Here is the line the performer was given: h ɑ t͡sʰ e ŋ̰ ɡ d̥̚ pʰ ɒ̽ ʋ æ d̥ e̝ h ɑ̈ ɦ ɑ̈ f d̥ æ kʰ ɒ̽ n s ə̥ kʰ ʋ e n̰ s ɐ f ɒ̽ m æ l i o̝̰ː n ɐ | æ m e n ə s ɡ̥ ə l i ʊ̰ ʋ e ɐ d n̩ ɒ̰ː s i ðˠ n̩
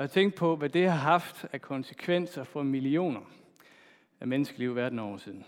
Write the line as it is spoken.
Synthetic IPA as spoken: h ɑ t͡sʰ e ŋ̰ ɡ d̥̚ pʰ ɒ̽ ʋ æ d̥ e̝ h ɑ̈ ɦ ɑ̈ f d̥ æ kʰ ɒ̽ n s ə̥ kʰ ʋ e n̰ s ɐ f ɒ̽ m i l i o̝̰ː n ɐ | æ m e n ə s ɡ̥ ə l i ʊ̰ ʋ æ ɐ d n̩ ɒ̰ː s i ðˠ n̩